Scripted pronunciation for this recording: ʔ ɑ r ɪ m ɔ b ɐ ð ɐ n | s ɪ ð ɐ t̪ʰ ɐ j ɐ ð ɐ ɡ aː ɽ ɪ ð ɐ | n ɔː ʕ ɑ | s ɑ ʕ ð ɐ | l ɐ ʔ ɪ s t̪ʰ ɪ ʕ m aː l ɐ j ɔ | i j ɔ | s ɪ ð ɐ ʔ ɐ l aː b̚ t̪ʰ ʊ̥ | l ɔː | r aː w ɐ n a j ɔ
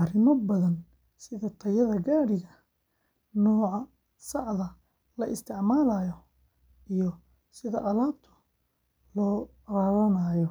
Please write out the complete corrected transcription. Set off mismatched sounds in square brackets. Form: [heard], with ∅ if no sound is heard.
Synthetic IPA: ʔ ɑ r ɪ m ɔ b ɐ ð ɐ n | s ɪ ð ɐ t̪ʰ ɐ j ɐ ð ɐ ɡ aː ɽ ɪ [ɣ] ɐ | n ɔː ʕ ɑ | s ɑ ʕ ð ɐ | l ɐ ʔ ɪ s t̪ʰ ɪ ʕ m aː l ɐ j ɔ | i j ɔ | s ɪ ð ɐ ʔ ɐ l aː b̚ t̪ʰ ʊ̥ | l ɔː | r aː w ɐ n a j ɔ